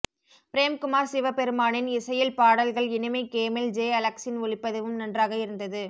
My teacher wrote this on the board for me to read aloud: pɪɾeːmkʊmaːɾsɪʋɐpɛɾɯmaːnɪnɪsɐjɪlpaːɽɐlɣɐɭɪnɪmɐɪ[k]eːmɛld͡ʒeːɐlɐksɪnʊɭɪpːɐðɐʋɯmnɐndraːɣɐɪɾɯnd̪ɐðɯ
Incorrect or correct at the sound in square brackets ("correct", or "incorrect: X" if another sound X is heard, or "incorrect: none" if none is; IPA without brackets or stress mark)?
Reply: correct